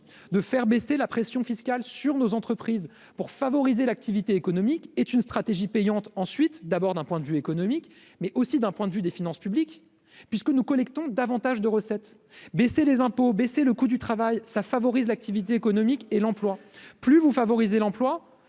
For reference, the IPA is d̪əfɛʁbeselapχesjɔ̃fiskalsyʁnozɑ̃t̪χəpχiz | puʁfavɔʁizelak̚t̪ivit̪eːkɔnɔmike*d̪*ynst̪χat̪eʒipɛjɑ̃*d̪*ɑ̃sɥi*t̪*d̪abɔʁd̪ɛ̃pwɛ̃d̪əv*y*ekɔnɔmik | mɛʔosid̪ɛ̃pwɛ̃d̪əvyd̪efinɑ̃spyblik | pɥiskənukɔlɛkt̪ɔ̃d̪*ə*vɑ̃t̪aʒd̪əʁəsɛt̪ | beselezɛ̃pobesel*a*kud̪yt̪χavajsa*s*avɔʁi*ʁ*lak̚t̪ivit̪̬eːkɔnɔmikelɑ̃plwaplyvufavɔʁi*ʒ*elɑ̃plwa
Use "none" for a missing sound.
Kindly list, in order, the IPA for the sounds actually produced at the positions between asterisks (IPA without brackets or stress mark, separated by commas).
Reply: t̪, t̪, t̪, y, a, ə, f, z, z